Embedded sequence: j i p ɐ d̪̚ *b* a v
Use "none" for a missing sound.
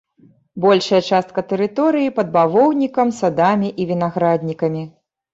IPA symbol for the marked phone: b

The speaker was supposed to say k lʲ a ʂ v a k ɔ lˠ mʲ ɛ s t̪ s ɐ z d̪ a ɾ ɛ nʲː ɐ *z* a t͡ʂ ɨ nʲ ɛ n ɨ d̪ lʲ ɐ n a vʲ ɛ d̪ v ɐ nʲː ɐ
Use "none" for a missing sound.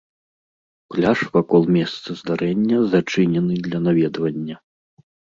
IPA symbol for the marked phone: z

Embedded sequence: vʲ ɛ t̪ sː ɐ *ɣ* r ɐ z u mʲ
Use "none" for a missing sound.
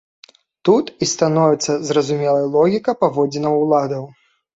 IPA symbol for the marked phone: z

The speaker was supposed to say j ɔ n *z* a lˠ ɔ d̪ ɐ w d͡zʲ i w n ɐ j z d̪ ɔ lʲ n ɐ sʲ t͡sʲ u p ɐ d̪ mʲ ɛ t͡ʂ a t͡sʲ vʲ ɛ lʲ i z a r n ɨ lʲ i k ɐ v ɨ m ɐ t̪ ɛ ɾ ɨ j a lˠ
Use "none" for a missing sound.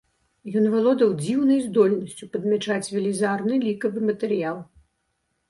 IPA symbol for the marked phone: v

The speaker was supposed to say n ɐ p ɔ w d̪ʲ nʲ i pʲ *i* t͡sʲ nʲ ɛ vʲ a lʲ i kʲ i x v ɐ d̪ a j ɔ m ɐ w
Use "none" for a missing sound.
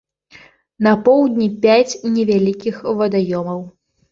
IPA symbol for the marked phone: a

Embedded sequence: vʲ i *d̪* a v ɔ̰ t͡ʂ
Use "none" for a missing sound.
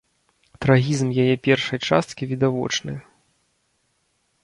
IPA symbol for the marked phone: d̪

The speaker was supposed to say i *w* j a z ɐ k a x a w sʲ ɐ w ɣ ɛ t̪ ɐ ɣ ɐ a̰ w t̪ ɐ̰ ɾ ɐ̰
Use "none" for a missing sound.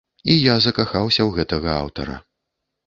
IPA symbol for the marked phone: none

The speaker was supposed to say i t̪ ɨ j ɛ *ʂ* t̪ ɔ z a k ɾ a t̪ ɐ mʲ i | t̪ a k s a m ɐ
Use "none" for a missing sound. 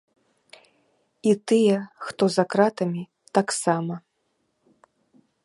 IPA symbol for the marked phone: x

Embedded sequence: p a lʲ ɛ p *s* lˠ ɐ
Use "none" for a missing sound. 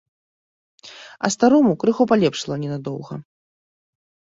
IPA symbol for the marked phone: ʂ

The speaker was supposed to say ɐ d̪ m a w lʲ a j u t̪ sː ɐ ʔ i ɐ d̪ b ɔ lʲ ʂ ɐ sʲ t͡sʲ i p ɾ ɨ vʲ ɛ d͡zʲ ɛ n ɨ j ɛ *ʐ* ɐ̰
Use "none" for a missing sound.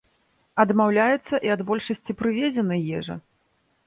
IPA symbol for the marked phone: ʐ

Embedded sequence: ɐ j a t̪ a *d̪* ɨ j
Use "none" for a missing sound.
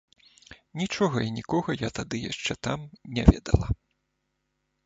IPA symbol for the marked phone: d̪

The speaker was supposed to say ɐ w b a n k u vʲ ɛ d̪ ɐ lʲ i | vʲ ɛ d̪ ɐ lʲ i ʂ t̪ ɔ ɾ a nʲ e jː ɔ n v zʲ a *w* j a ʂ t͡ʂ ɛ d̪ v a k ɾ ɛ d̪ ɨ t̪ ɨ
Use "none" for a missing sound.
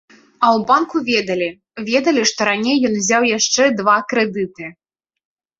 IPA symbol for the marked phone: w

